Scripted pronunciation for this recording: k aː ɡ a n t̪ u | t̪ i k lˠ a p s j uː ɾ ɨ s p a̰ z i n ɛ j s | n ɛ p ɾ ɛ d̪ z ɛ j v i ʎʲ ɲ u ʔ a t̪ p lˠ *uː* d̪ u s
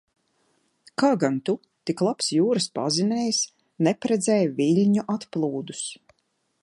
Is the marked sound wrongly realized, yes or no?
no